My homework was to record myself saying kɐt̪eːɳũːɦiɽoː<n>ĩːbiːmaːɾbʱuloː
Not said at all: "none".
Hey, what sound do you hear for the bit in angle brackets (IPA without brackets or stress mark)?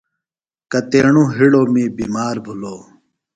m